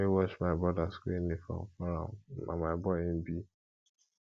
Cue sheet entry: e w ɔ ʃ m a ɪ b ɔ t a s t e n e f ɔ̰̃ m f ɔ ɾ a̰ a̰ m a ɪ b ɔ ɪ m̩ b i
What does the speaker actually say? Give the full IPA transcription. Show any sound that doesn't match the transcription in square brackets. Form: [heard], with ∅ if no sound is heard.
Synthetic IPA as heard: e w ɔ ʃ m a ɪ b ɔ [d] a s [k] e n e f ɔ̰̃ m f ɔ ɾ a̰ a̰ m a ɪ b ɔ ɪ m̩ b i